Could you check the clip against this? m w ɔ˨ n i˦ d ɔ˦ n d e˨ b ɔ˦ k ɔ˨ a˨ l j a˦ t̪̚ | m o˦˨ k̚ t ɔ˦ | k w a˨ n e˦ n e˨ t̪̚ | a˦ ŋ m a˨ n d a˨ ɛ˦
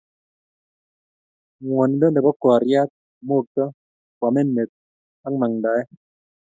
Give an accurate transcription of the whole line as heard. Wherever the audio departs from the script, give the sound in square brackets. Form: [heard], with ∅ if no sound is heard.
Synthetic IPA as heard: [ŋ] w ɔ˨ n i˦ d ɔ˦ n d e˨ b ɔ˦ k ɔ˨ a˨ [ɾ] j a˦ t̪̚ | m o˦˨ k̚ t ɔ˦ | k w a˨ [m] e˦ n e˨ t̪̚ | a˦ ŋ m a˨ [ŋ] d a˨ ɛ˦